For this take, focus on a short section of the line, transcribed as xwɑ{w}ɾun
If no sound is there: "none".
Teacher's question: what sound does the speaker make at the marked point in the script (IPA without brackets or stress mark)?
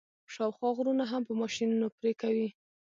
ɣ